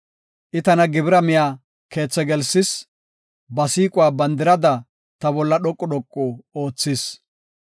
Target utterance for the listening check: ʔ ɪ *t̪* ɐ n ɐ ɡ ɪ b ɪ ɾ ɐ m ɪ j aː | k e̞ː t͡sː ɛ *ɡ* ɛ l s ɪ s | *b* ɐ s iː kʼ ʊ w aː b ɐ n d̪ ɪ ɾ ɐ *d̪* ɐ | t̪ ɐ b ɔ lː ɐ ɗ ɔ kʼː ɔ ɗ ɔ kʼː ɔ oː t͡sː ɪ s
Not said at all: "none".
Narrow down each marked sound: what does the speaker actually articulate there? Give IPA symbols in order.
t̪, ɡ, b, d̪

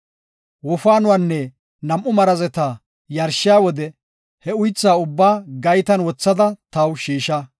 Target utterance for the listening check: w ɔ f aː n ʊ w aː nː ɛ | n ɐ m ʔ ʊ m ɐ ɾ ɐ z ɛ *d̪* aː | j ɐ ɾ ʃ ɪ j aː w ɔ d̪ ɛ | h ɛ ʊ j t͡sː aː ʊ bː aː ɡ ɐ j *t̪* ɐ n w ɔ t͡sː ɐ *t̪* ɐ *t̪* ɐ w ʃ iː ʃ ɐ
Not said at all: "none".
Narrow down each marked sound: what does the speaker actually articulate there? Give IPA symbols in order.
t̪, t̪, d̪, t̪

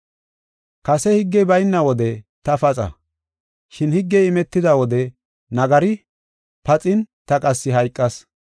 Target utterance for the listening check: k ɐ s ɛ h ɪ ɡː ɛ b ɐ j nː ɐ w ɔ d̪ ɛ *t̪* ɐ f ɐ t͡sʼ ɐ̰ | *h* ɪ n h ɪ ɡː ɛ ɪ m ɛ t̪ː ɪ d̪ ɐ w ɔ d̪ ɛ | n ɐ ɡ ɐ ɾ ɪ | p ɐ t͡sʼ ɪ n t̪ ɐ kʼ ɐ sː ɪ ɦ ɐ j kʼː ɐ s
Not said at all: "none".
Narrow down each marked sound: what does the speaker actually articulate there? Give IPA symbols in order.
t̪, ʃ

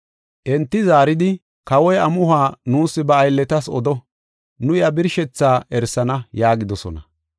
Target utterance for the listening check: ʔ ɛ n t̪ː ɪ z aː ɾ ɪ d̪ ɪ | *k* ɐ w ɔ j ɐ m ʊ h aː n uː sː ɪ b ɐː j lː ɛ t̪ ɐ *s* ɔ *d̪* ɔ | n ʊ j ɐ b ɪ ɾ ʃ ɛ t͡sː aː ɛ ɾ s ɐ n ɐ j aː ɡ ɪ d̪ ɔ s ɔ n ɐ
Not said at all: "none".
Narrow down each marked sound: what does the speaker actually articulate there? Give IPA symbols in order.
k, s, d̪

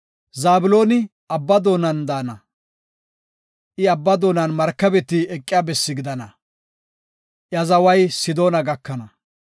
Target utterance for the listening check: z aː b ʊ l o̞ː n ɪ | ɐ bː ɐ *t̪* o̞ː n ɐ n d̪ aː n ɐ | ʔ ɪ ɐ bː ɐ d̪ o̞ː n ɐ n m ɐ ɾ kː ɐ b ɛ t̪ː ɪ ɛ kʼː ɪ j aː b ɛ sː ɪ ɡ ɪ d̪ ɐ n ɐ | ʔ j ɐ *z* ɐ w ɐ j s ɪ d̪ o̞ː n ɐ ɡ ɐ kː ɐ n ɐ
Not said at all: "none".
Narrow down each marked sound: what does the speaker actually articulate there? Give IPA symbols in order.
d̪, z

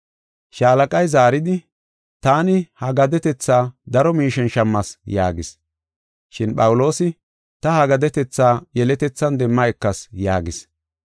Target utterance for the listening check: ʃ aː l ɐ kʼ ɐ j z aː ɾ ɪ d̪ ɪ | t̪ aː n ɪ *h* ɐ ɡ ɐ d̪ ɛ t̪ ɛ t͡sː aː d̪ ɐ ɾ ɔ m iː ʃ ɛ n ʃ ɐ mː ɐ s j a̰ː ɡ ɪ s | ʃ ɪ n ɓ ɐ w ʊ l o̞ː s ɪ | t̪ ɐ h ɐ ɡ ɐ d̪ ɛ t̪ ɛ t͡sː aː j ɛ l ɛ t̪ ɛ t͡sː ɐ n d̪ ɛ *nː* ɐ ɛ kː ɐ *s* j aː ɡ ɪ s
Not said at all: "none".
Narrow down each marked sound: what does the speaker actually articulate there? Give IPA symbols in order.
h, mː, s

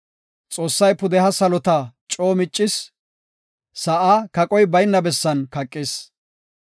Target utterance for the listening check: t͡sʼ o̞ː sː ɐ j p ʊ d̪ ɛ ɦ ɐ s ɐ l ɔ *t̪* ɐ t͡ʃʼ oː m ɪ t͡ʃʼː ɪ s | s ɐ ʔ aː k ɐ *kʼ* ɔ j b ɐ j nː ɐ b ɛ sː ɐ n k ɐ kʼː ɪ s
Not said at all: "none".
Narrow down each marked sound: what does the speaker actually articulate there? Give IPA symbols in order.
t̪, kʼ

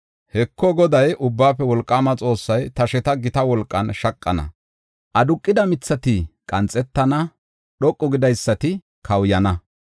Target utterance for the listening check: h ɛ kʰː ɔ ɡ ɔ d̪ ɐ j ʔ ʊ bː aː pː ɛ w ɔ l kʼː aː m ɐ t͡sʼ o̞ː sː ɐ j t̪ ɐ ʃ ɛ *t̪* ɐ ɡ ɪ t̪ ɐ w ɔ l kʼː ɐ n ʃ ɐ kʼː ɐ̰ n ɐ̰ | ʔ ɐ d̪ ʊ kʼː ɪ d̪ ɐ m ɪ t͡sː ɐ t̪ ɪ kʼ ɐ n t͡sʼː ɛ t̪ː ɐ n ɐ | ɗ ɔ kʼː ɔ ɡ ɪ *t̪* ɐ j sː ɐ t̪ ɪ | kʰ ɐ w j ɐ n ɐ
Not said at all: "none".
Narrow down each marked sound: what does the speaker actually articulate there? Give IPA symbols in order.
t̪, d̪

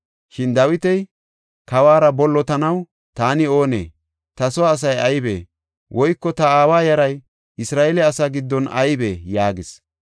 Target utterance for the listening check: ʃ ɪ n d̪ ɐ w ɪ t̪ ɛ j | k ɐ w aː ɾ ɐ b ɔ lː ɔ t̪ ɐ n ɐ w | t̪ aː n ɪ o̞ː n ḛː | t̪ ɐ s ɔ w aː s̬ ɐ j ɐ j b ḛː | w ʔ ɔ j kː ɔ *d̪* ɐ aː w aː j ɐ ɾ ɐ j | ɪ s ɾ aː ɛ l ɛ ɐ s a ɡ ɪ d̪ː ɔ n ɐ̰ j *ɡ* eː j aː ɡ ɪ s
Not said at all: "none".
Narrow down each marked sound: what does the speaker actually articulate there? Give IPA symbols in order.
t̪, b

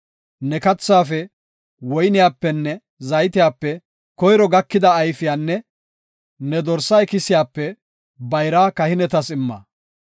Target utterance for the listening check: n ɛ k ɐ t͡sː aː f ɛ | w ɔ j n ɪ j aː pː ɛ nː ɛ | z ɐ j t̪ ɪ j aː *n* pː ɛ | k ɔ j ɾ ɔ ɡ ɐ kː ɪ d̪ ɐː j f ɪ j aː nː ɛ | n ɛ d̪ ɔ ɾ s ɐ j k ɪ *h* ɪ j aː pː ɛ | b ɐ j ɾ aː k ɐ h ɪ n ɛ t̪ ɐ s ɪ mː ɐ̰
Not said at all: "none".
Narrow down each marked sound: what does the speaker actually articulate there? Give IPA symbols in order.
none, s

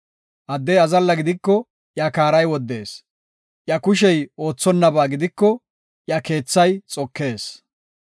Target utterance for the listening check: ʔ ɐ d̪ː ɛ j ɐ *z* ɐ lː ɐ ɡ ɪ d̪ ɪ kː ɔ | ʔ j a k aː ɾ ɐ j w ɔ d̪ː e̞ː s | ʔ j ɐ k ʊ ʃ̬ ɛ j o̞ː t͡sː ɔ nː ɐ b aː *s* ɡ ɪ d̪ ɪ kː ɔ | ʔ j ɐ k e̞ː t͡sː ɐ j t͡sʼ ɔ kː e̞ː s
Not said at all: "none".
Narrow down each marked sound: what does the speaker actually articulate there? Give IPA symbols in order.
z, none

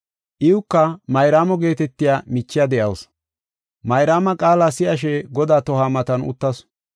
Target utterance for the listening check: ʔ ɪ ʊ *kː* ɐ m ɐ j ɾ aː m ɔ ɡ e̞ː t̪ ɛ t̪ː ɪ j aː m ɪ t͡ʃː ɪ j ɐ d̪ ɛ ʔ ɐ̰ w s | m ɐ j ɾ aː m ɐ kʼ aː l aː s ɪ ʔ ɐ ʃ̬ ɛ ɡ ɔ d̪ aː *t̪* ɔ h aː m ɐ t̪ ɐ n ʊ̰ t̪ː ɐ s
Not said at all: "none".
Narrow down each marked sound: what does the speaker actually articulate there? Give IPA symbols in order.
kː, t̪

